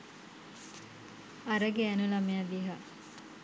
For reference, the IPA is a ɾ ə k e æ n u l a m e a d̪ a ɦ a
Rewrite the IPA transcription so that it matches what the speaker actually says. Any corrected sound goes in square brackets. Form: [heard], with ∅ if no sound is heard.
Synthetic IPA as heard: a ɾ ə [ɡ] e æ n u l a m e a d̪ [i] ɦ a